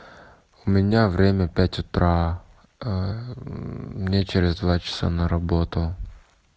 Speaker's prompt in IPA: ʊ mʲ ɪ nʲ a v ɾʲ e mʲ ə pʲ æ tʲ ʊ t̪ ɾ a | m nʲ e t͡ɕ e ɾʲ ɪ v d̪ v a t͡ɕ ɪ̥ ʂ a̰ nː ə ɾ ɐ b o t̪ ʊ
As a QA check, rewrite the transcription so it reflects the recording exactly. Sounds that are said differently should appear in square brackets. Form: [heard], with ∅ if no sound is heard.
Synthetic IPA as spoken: ʊ mʲ ɪ nʲ a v ɾʲ e mʲ ə pʲ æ tʲ ʊ t̪ ɾ a | m nʲ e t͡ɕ e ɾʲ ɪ [z] d̪ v a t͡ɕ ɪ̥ [s] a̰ [n] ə ɾ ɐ b o t̪ ʊ